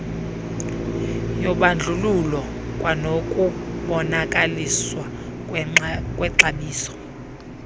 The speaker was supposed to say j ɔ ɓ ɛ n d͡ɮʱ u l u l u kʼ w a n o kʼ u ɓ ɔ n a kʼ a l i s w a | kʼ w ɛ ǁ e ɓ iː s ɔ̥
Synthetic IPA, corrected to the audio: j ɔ ɓ a n d͡ɮʱ u l u l ɔ kʼ w a n o kʼ u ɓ ɔ n a kʼ a l i s w a | kʼ w ɛ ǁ a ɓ iː s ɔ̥